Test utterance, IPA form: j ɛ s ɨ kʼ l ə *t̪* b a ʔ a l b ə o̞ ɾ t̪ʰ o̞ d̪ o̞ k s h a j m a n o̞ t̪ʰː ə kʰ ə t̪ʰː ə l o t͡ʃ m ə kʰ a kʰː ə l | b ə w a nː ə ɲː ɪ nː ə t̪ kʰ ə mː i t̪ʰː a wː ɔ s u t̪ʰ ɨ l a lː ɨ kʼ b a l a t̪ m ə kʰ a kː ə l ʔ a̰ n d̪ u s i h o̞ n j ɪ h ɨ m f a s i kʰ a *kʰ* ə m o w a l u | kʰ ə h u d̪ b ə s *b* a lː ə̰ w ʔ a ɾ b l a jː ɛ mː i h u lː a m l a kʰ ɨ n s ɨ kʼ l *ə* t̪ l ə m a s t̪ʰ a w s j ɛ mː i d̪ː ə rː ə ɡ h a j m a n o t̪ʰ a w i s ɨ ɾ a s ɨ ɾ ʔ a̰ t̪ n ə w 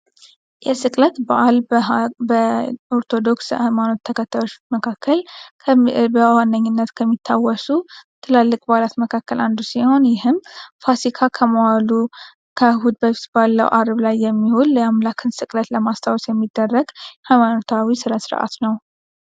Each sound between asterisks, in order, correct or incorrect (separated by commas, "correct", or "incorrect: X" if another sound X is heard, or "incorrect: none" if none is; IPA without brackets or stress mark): correct, correct, correct, correct